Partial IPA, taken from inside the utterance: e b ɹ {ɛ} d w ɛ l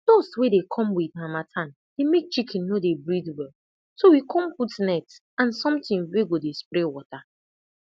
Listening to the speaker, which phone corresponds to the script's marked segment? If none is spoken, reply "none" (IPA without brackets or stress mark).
i